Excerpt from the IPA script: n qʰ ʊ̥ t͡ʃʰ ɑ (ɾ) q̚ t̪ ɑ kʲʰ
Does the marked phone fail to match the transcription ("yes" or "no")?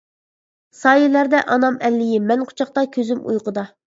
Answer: yes